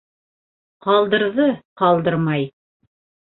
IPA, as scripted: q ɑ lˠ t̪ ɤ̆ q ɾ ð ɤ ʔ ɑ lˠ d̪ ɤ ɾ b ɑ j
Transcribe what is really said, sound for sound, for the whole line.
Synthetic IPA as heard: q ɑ lˠ d̪ ɤ̆ ɾ ð ɤ q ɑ lˠ d̪ ɤ ɾ m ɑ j